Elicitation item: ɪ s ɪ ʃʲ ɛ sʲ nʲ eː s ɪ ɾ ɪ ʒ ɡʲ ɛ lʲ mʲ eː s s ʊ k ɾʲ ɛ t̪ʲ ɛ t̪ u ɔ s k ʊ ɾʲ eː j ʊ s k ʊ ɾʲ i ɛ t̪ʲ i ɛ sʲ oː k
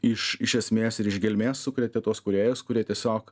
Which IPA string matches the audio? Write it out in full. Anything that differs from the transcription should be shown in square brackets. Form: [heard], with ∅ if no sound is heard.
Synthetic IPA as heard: ɪ [ʃ] ɪ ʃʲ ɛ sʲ [mʲ] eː s ɪ ɾ ɪ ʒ ɡʲ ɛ lʲ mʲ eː s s ʊ k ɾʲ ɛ t̪ʲ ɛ t̪ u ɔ s k ʊ ɾʲ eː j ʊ s k ʊ ɾʲ i ɛ t̪ʲ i ɛ sʲ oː k